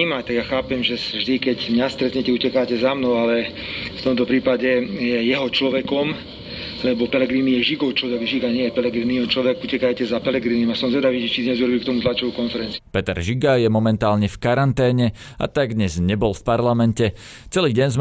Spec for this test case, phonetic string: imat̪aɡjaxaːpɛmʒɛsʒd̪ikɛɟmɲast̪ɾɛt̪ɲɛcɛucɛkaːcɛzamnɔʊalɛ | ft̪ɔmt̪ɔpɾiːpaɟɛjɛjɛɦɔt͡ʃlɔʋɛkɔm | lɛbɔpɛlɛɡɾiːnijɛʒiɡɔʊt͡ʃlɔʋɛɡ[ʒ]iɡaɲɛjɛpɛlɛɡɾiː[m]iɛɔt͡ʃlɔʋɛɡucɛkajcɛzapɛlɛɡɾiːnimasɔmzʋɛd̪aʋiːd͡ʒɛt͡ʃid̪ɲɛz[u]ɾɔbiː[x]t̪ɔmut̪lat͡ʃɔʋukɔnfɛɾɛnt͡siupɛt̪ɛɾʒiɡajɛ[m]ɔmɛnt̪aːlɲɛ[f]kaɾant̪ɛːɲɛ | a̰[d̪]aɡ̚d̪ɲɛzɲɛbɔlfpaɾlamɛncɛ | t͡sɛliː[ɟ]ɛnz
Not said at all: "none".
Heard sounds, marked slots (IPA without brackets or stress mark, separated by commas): ʒ, n, u, k, m, f, t̪, ɟ